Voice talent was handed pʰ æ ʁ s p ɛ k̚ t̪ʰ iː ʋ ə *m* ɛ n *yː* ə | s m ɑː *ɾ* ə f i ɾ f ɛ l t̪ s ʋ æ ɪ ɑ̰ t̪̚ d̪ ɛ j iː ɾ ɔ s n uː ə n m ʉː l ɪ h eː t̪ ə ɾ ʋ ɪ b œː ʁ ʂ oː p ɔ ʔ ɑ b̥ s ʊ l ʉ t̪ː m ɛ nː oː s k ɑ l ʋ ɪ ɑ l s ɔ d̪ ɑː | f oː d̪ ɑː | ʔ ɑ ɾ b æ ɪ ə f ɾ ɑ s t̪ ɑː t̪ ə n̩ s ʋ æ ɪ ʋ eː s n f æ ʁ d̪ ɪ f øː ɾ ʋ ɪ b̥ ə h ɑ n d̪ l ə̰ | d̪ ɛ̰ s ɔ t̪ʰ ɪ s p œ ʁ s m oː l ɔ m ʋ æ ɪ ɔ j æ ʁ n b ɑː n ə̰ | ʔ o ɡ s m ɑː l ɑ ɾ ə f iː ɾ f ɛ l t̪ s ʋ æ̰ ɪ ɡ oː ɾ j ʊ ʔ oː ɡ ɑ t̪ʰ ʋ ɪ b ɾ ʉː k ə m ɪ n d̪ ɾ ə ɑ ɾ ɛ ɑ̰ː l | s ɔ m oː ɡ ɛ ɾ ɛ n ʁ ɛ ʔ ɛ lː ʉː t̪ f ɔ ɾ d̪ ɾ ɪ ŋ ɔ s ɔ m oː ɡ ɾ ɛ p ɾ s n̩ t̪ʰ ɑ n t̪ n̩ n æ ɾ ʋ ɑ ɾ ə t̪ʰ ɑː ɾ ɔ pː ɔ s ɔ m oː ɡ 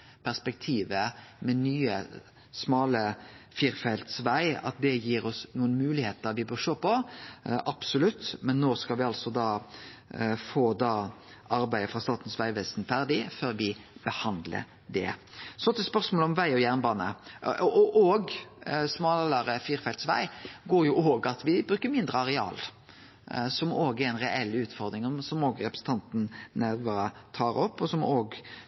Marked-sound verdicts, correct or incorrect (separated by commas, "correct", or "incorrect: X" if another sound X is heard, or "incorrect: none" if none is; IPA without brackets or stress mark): correct, correct, incorrect: l